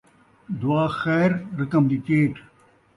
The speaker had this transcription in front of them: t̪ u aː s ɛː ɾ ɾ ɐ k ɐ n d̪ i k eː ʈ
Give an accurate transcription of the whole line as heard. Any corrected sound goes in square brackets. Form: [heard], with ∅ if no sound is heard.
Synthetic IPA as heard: [d̪] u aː [x] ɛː ɾ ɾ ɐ k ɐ [m] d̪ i k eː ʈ